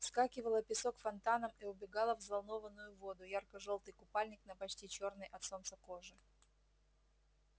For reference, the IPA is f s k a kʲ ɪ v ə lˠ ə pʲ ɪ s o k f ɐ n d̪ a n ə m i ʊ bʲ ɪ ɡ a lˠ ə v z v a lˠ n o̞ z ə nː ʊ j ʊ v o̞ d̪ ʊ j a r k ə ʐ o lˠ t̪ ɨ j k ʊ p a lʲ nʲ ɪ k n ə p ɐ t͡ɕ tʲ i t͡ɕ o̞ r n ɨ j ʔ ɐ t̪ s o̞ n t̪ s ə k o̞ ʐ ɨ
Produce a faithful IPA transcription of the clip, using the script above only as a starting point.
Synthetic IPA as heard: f s k a kʲ ɪ v ə lˠ ə pʲ ɪ s o k f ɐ n t̪ a n ə m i ʊ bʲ ɪ ɡ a lˠ ə v z v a lˠ n o̞ v ə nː ʊ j ʊ v o̞ d̪ ʊ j a r k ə ʐ o lˠ t̪ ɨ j k ʊ p a lʲ nʲ ɪ k n ə p ɐ t͡ɕ tʲ i t͡ɕ o̞ r n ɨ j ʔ ɐ t̪ s o̞ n t̪ s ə k o̞ ʐ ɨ